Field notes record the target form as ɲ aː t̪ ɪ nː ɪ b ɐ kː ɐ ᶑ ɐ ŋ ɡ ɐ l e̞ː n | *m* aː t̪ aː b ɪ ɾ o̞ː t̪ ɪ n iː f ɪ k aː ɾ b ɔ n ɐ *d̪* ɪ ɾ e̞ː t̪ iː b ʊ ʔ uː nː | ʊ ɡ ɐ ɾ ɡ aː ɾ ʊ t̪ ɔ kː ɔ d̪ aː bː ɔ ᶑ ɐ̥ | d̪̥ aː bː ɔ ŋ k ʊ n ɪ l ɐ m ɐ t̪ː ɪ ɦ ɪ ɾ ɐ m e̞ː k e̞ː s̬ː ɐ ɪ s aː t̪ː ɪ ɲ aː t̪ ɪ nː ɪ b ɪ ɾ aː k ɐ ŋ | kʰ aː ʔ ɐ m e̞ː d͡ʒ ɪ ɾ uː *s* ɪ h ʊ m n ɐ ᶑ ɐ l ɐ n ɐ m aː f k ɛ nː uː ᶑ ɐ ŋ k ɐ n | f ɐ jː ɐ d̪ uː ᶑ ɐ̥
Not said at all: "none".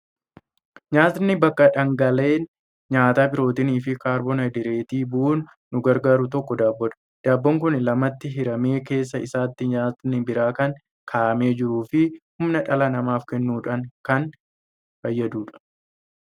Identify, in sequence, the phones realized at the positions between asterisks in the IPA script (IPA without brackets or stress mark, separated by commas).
ɲ, d̪, f